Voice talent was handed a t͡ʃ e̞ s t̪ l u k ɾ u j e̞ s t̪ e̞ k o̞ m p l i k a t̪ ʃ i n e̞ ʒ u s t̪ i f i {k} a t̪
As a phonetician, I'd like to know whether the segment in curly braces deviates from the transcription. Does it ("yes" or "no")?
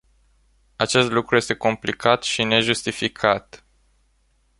yes